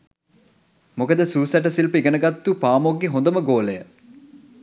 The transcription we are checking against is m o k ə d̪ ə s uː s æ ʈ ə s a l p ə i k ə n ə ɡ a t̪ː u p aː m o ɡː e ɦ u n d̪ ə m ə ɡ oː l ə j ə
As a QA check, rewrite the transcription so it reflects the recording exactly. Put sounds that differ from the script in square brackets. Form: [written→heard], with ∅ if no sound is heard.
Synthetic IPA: m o k ə d̪ ə s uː s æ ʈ ə s [a→i] l p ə i [k→ɡ] ə n ə ɡ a t̪ː u p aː m o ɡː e ɦ [u→o] n d̪ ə m ə ɡ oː l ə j ə